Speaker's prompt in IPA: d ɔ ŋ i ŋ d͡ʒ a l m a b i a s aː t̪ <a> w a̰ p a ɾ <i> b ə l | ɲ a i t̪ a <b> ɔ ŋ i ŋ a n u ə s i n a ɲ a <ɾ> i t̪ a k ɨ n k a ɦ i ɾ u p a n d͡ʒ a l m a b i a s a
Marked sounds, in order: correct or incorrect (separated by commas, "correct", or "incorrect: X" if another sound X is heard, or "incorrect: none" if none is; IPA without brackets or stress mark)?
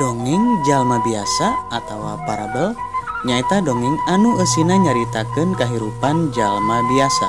correct, incorrect: a, incorrect: d, correct